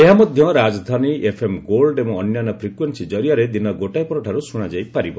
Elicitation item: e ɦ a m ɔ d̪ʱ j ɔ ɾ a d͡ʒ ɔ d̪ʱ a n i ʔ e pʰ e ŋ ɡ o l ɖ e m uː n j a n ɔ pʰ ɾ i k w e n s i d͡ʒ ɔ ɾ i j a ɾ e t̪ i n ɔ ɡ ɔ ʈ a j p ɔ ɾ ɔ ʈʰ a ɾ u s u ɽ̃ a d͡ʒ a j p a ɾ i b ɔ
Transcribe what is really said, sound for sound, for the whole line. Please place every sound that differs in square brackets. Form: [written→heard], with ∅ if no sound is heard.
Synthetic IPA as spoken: e ɦ a m ɔ d̪ʱ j ɔ ɾ a d͡ʒ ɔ d̪ʱ a n i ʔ e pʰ e [ŋ→m] ɡ o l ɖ e m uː n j a n ɔ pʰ ɾ i k w e n s i d͡ʒ ɔ ɾ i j a ɾ e [t̪→d̪] i n ɔ ɡ [ɔ→o] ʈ a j p ɔ ɾ ɔ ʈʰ a ɾ u s u ɽ̃ a d͡ʒ a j p a ɾ i b ɔ